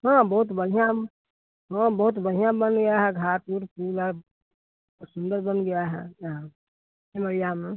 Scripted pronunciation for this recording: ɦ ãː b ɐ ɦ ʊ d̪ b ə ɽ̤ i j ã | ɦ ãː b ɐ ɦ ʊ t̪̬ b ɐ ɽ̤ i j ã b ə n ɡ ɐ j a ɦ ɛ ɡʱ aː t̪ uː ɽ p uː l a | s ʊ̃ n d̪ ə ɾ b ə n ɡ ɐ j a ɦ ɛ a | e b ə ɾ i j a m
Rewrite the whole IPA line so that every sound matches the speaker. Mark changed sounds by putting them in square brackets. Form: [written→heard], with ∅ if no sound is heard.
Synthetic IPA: ɦ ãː b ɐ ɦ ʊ [d̪→t̪] b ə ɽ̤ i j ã | ɦ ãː b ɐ ɦ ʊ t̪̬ b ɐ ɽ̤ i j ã b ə n ɡ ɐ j a ɦ ɛ ɡʱ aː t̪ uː [ɽ→ɾ] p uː l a | s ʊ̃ n d̪ ə ɾ b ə n ɡ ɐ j a ɦ ɛ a | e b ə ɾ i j a m